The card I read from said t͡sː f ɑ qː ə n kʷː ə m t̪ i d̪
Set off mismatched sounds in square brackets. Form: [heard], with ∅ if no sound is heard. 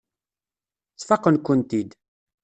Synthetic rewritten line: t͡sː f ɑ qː ə n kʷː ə [n] t̪ i d̪